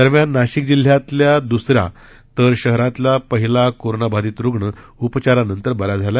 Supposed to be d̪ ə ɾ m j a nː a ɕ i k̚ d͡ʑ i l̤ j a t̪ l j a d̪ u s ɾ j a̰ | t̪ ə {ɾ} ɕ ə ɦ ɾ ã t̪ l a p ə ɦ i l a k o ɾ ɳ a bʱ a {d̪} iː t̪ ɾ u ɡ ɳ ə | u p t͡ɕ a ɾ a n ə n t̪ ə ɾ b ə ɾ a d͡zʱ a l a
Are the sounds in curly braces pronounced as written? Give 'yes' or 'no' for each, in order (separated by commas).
yes, yes